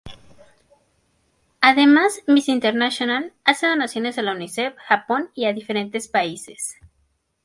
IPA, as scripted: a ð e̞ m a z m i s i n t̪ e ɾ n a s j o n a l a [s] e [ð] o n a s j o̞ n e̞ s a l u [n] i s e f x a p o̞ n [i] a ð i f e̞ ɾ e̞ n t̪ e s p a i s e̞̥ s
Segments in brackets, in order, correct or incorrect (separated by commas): correct, correct, correct, correct